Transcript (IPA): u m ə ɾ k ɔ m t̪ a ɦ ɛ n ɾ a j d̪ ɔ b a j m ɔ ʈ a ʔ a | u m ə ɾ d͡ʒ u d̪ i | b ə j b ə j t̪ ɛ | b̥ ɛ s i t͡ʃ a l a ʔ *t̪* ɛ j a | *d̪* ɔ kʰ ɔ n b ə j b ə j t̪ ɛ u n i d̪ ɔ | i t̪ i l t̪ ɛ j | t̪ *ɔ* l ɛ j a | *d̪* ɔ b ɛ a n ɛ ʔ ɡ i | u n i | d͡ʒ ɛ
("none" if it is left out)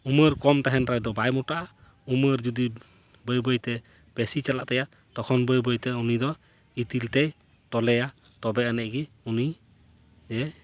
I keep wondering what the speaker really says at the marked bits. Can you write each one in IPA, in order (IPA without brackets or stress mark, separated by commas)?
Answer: t̪, t̪, ɔ, t̪